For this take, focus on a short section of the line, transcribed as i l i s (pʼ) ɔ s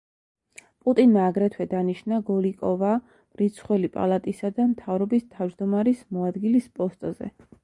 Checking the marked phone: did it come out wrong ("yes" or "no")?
no